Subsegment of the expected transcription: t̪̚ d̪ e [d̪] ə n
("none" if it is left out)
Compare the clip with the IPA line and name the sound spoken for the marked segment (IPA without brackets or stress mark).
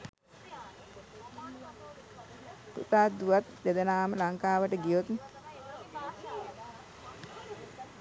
d̪